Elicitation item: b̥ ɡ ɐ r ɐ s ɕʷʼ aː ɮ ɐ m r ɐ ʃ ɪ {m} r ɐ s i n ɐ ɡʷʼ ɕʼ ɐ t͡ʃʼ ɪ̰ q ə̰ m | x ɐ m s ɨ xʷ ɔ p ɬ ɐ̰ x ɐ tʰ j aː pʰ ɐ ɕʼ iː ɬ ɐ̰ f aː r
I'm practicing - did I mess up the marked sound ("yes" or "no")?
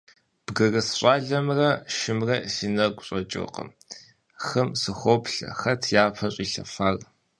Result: no